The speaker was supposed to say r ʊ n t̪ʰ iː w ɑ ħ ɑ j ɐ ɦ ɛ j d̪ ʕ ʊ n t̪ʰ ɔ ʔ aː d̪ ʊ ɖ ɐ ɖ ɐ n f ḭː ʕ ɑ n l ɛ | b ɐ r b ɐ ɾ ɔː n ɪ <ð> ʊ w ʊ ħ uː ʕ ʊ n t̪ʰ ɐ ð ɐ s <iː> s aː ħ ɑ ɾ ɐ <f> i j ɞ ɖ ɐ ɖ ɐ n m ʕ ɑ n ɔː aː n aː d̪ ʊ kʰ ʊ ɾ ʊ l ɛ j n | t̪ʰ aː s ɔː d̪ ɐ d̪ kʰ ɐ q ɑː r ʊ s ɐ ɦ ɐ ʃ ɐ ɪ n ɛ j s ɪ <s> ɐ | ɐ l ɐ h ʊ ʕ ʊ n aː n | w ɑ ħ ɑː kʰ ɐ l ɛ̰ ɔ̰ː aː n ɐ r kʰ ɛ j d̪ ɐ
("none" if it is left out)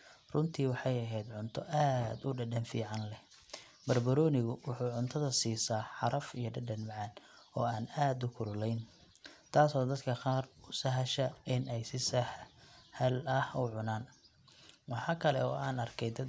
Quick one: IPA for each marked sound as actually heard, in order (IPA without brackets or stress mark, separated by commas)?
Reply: ɣ, iː, f, s